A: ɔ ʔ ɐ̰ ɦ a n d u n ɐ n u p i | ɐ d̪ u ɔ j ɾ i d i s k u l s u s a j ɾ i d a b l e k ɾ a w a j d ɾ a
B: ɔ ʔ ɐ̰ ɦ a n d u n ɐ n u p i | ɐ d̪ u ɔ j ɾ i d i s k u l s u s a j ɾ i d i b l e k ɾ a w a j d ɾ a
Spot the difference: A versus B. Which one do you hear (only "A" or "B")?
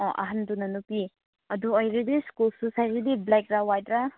B